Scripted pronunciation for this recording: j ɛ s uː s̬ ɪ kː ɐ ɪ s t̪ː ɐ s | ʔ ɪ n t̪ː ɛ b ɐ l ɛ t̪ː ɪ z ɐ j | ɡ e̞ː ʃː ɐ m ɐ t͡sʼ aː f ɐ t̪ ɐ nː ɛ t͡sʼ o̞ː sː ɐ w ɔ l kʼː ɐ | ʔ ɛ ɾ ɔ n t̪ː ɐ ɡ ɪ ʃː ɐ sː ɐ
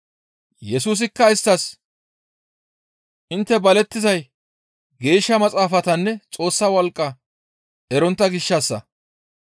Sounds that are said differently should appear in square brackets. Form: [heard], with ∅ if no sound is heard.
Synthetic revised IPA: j ɛ s uː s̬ ɪ kː ɐ ɪ s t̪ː ɐ s | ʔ ɪ n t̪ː ɛ b ɐ l ɛ t̪ː ɪ z ɐ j | ɡ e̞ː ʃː ɐ m ɐ t͡sʼ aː f ɐ t̪ ɐ nː ɛ t͡sʼ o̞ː sː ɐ w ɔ l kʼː ɐ | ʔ ɛ ɾ ɔ n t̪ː ɐ ɡ ɪ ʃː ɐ sː ɐ